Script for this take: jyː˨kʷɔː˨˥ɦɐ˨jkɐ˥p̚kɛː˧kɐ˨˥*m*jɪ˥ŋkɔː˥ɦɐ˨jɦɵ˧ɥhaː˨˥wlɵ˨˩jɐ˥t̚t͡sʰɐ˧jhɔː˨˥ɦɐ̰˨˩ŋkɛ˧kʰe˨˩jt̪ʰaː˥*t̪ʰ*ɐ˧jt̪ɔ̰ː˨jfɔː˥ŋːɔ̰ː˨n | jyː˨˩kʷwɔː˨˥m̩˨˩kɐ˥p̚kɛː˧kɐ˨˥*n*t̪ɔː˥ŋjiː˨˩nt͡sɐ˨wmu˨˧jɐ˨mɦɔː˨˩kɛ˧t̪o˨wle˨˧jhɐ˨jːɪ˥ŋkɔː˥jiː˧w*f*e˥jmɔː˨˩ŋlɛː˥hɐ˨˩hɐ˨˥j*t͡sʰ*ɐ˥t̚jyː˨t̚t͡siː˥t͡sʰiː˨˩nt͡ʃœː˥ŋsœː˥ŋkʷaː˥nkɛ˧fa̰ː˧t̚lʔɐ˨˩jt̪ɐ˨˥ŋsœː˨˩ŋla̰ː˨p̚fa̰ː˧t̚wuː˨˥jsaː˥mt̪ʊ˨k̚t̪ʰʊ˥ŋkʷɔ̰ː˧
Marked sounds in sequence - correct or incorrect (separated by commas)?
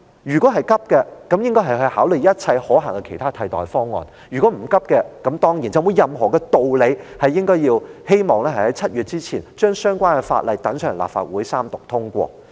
correct, correct, incorrect, incorrect, correct